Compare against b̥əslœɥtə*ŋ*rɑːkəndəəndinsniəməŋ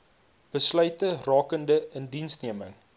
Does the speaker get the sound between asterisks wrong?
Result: yes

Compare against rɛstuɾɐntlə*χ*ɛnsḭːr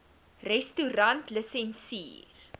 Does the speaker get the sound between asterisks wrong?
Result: yes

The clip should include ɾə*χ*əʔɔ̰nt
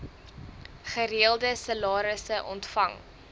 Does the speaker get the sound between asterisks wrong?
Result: yes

